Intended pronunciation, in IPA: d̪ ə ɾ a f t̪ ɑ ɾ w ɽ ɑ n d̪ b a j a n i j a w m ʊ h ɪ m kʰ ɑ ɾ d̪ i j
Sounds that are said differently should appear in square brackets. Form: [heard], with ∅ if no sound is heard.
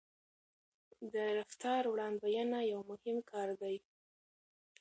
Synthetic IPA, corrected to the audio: d̪ ə ɾ a f t̪ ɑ ɾ w ɽ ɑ n d̪ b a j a n [a] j a w m ʊ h ɪ m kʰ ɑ ɾ d̪ [a] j